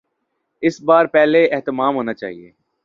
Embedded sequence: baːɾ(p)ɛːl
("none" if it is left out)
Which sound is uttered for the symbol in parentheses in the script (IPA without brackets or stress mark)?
p